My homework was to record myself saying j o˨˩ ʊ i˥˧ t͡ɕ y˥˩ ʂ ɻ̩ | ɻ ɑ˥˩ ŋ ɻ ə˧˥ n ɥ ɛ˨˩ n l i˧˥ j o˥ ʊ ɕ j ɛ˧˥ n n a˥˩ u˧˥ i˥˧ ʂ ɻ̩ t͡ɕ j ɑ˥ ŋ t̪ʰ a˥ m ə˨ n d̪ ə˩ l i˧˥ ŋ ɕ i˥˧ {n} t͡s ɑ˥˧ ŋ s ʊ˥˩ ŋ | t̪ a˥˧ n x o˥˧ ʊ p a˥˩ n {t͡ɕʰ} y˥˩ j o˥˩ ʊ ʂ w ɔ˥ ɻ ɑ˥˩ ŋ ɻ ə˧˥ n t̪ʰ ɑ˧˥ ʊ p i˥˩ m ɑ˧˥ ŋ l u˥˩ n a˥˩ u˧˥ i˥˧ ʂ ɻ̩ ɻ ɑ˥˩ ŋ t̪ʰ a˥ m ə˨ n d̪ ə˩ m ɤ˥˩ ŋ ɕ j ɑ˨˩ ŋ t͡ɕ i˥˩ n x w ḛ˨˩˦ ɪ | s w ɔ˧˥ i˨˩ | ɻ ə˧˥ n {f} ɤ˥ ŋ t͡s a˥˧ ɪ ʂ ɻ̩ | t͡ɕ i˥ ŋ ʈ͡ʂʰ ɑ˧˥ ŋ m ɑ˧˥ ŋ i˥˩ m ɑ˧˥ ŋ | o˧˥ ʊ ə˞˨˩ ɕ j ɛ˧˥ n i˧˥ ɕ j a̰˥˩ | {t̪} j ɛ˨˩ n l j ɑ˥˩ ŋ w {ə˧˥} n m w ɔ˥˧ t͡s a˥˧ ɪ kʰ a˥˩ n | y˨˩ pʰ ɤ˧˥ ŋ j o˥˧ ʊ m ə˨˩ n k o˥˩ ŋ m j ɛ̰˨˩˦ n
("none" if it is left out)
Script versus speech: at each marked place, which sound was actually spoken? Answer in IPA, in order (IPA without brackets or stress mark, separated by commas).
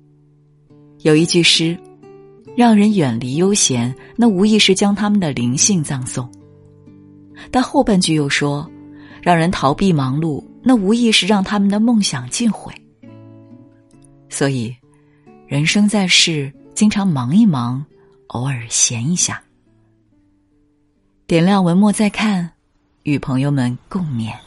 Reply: ŋ, t͡ɕ, ʂ, t̪, ə˧˥